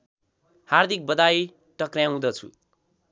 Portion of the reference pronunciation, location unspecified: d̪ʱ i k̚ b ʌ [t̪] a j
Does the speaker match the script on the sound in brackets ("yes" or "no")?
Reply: no